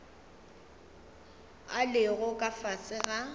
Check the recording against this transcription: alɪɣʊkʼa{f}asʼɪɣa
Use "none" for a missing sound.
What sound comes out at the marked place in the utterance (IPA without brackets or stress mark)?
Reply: f